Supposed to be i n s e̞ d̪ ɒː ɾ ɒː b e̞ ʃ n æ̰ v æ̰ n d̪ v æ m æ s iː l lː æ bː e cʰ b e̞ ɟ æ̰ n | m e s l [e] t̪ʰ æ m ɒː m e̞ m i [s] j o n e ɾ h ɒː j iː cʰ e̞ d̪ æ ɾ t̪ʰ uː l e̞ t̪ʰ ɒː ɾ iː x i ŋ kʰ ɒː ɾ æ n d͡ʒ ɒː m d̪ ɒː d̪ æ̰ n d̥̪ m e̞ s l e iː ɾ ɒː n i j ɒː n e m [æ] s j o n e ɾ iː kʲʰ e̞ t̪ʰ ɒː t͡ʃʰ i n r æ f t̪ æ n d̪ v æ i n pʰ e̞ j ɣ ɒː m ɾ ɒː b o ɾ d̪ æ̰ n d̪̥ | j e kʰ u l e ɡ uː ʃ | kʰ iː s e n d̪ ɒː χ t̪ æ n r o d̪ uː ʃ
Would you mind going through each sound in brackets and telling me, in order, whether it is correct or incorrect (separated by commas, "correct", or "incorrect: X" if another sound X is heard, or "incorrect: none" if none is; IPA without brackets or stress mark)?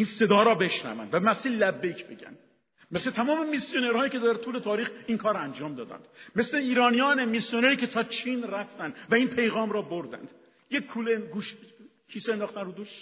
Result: correct, correct, incorrect: i